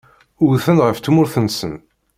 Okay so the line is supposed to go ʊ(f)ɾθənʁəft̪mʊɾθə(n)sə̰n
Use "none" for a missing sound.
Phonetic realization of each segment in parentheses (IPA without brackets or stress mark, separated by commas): none, n